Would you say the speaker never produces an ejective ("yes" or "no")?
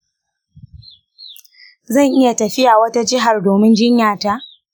yes